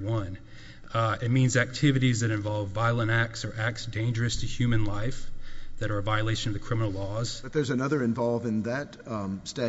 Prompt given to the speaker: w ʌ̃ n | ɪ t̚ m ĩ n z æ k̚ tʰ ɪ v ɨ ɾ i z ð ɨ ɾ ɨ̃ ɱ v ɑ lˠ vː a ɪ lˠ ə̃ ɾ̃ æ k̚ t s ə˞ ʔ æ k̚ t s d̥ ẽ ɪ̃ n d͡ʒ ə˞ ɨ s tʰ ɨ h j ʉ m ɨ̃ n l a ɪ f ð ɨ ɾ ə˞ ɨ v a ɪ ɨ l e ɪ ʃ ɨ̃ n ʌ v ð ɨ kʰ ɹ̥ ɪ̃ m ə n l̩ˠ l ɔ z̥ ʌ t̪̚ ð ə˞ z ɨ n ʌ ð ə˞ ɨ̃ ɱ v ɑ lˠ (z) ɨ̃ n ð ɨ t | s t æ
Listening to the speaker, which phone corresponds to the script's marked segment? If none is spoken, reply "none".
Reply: v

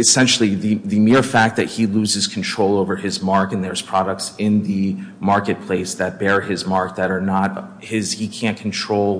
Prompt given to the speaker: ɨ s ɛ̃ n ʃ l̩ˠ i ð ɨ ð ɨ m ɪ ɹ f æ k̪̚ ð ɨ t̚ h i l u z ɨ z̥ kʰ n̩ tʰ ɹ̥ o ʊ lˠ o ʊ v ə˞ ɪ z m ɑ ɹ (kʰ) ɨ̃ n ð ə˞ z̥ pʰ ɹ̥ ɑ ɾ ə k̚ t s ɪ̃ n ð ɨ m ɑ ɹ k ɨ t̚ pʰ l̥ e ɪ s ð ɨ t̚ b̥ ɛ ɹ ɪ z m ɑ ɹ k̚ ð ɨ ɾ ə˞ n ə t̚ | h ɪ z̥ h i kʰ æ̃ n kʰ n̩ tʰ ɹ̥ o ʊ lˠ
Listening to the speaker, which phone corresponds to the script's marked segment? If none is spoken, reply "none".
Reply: k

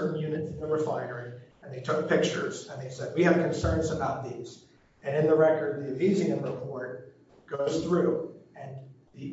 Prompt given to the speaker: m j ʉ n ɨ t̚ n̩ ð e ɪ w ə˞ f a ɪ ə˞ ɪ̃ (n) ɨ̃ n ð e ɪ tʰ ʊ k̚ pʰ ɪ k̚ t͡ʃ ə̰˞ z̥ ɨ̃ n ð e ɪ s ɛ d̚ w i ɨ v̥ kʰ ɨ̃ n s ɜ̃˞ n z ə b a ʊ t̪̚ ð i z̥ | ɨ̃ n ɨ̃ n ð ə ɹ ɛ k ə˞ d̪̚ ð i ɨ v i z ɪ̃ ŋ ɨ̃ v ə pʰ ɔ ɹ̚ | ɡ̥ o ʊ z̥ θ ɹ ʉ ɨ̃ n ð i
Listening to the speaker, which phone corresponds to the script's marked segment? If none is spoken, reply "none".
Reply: ŋ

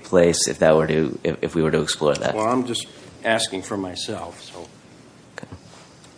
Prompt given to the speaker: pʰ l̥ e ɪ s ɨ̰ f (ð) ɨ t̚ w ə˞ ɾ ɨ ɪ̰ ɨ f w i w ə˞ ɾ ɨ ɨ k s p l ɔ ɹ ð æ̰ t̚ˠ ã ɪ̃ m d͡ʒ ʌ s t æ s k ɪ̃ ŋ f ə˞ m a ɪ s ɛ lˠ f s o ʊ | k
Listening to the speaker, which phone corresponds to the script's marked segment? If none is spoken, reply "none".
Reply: ð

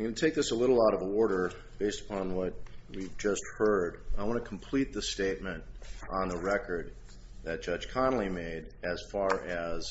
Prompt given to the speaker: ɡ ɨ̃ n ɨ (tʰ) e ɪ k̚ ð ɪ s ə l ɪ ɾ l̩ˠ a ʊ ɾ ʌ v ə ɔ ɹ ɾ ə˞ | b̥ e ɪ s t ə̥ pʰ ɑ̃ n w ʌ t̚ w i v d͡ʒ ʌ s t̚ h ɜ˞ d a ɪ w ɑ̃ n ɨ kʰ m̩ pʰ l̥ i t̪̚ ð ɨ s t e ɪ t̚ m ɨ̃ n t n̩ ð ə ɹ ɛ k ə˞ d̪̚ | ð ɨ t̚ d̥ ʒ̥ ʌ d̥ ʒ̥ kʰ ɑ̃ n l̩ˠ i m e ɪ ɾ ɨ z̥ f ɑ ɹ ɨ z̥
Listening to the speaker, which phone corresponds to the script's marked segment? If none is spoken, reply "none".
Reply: tʰ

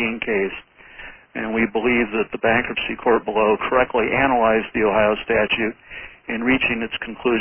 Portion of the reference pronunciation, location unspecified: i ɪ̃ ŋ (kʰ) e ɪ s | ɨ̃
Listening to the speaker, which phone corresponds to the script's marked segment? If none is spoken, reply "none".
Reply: kʰ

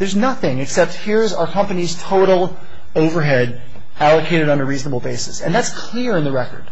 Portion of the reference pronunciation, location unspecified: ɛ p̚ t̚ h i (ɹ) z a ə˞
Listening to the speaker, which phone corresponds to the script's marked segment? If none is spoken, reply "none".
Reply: ɹ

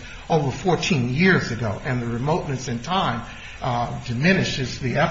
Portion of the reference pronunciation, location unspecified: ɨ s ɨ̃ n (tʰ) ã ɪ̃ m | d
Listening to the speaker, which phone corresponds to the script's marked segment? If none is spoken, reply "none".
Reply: tʰ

